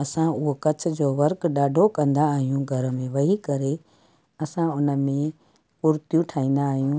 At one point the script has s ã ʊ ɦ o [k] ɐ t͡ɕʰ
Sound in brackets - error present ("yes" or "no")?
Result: no